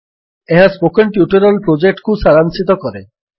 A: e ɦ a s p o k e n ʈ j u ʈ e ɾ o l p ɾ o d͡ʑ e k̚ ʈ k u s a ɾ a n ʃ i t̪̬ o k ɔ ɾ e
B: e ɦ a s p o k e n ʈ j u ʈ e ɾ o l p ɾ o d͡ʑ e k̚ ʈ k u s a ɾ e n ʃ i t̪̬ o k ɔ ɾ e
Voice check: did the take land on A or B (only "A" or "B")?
A